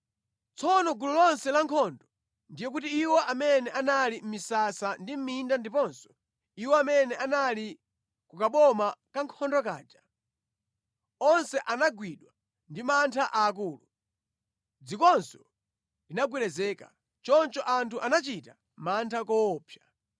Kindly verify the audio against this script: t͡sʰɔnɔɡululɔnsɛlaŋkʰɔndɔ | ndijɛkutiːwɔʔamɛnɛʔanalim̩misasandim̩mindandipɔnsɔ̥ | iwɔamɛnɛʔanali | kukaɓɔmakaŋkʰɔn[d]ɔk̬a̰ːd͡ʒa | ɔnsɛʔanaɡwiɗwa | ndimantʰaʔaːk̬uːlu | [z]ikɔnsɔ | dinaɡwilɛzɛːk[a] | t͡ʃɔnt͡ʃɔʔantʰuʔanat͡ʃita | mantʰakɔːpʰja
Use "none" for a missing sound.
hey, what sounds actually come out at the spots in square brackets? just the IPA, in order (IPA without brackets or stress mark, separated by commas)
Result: d, d͡z, a